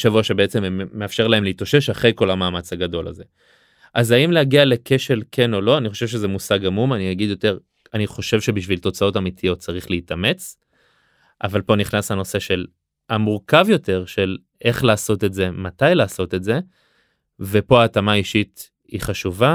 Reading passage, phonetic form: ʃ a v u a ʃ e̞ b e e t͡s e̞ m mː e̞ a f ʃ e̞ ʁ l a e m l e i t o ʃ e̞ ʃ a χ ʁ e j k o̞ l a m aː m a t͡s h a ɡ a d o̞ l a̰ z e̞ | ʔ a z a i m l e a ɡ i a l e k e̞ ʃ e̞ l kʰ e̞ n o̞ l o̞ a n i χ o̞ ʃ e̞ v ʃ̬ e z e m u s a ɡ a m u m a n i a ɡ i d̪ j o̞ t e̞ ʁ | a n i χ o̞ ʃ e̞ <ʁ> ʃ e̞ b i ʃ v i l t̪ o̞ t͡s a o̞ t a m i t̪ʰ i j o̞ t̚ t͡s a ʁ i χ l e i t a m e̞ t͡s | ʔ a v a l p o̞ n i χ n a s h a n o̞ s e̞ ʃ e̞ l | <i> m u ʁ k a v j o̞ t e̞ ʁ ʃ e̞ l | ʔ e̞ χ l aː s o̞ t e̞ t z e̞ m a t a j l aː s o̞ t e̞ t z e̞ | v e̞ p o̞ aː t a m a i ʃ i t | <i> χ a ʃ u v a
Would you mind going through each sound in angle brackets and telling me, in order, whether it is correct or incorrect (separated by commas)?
incorrect, incorrect, correct